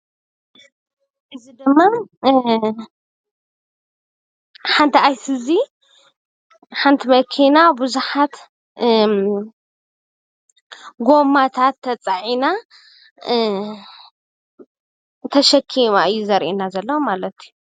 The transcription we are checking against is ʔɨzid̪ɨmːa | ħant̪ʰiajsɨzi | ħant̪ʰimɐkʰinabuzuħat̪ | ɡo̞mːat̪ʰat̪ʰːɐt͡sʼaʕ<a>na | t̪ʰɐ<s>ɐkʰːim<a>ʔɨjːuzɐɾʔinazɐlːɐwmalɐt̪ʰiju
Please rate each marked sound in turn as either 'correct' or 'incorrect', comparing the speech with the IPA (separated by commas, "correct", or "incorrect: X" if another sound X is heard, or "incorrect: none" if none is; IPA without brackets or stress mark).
incorrect: i, incorrect: ʃ, correct